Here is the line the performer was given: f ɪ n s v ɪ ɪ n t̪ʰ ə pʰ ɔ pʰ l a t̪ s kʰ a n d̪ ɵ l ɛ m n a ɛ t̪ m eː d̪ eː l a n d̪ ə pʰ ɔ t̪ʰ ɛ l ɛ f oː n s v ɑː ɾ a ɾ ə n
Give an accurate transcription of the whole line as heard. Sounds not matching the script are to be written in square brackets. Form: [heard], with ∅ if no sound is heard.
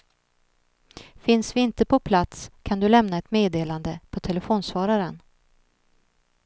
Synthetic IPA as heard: f ɪ n s v ɪ ɪ n [t̪] ə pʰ ɔ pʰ l a t̪ s kʰ a n d̪ ɵ l ɛ m n a ɛ t̪ m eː d̪ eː l a n d̪ ə pʰ ɔ t̪ʰ ɛ l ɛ f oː n s v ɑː ɾ a ɾ ə n